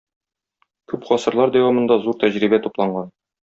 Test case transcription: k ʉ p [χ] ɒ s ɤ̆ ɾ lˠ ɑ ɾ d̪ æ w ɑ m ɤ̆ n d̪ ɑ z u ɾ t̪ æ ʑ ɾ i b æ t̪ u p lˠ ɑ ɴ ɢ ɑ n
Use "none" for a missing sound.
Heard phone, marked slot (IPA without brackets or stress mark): χ